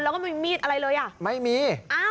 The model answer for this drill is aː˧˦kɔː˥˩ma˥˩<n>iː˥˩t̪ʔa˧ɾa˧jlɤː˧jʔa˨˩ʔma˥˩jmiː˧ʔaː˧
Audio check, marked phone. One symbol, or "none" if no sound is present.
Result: m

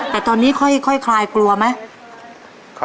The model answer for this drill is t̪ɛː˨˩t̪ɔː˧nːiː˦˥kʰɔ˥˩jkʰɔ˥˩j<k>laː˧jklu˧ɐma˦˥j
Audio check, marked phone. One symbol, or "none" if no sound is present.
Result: kʰ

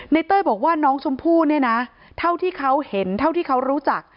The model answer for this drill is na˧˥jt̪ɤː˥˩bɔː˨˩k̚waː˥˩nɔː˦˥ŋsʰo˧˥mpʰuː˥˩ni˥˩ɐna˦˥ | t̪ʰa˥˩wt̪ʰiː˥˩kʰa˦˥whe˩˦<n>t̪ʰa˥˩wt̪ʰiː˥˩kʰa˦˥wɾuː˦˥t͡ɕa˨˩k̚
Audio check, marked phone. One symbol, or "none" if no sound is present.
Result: n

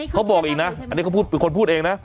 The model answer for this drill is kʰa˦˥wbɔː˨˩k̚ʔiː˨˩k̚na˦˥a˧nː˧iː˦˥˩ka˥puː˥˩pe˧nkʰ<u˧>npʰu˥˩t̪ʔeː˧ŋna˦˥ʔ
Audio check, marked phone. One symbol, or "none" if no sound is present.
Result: o˧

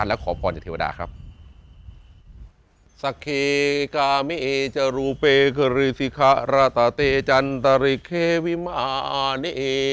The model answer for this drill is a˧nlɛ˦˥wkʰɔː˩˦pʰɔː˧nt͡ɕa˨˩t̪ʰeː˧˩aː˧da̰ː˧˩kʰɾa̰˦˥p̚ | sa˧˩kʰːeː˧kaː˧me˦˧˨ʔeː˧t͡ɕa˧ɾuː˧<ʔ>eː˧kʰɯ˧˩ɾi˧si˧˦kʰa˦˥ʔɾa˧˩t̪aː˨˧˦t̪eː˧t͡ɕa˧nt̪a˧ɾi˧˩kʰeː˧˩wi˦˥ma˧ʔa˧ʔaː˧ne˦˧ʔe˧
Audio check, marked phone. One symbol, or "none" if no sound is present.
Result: p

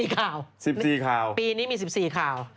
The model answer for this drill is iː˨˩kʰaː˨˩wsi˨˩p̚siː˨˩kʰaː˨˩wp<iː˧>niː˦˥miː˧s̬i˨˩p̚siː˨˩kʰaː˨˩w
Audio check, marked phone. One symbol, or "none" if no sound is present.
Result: iː˧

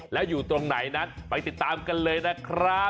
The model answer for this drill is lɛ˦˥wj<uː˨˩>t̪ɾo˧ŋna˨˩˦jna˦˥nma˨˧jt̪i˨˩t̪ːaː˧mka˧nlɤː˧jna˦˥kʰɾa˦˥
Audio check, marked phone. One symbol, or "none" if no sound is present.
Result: uː˨˩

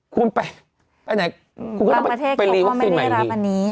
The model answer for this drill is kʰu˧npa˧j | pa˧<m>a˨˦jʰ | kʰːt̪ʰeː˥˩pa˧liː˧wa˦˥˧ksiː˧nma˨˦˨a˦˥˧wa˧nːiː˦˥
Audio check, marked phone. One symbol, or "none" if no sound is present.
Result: n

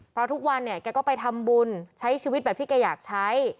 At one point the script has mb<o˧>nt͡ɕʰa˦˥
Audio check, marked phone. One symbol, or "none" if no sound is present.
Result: u˧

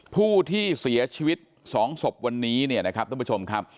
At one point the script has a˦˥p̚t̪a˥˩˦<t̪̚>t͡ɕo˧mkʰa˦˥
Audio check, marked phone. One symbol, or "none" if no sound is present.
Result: none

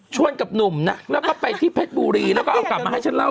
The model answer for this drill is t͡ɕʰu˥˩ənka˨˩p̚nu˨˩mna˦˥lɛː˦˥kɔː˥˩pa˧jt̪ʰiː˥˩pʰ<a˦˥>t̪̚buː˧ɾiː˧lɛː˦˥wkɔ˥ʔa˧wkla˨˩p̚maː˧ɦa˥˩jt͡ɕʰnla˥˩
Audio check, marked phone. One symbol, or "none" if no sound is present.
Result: e˦˥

